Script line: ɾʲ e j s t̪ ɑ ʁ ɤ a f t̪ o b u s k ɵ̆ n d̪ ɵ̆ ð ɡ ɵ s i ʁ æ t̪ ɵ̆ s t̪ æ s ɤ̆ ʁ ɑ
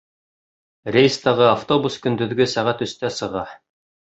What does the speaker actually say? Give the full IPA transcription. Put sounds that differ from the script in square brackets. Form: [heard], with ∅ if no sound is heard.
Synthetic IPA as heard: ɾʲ e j s t̪ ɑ ʁ ɤ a f t̪ o b u s k ɵ̆ n d̪ ɵ̆ ð ɡ ɵ s [æ] ʁ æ t̪ ɵ̆ s t̪ æ s ɤ̆ ʁ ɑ